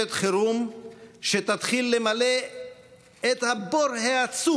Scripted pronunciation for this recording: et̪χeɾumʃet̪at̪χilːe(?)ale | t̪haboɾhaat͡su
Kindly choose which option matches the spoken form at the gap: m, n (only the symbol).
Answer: m